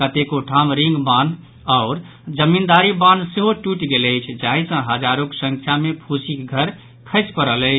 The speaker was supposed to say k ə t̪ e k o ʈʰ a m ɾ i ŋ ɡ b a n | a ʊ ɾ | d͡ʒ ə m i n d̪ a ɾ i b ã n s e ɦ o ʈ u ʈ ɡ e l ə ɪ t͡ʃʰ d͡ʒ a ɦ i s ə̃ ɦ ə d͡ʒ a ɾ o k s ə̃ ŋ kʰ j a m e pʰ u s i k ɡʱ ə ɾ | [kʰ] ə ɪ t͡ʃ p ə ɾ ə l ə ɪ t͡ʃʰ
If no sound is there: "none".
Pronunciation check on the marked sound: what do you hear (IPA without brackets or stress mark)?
kʰ